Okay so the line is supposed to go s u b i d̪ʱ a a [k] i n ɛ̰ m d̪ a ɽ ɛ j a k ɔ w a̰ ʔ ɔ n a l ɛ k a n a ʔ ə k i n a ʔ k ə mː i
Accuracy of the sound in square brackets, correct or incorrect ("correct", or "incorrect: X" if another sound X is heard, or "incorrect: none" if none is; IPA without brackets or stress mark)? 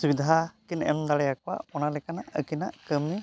correct